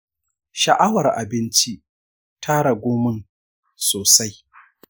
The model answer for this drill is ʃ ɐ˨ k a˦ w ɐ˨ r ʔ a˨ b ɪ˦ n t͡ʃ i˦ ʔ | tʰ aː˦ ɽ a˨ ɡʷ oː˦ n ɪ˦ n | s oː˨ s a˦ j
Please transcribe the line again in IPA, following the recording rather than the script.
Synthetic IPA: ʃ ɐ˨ ʔ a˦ w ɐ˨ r ʔ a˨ b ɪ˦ n t͡ʃ i˦ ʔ | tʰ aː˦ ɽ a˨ ɡʷ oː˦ m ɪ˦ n | s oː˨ s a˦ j